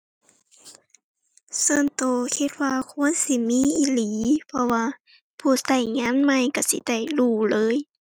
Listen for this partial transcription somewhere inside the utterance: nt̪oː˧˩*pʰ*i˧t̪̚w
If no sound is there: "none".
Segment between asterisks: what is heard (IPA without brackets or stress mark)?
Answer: kʰ